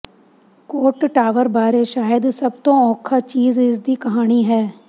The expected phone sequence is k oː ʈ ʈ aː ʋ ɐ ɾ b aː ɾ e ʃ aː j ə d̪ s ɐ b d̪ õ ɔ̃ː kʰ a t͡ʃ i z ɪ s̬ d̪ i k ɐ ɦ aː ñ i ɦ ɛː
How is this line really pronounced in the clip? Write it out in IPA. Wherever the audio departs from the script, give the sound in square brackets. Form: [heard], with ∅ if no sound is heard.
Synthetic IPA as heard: k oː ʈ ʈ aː ʋ [ə] ɾ b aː ɾ e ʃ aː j ə d̪ s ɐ b [t̪] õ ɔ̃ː kʰ a t͡ʃ [iː] z ɪ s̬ d̪ i k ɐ ɦ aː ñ i ɦ ɛː